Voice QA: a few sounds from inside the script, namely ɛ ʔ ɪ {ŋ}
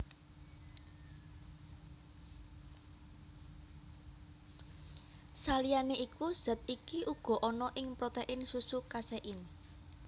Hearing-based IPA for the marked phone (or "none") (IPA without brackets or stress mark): n